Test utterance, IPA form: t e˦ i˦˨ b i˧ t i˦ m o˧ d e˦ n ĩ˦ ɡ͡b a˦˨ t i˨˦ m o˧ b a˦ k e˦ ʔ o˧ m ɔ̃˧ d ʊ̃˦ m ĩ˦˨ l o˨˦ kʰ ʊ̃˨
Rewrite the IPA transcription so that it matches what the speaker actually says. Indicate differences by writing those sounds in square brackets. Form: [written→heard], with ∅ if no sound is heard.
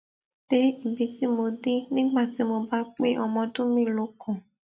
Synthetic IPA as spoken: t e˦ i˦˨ b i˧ t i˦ m o˧ d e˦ n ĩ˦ ɡ͡b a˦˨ t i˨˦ m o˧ b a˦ [k→k͡p] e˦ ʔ [o˧→ɔ˧] m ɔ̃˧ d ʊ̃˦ m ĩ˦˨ l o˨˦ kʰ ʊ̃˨